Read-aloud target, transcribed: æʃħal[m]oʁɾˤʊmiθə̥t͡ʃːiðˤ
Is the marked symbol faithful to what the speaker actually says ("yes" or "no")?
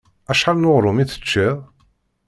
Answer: no